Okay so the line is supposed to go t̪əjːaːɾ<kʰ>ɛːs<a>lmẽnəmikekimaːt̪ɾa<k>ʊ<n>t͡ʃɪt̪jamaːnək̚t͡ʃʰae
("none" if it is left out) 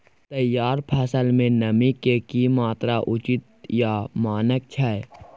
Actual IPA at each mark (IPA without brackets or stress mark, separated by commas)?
pʰ, ə, ʔ, none